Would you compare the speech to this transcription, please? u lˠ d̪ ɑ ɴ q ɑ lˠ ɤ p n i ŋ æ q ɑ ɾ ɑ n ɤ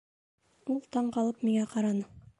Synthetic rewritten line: u lˠ t̪ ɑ ɴ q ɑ lˠ ɤ p m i ŋ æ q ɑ ɾ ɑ n ɤ